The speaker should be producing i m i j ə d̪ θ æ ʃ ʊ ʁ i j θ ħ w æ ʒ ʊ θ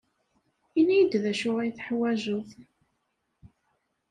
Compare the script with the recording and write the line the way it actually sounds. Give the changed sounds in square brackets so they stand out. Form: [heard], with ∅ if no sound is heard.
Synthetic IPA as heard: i [n] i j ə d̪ [ð] æ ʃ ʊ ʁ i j θ ħ w æ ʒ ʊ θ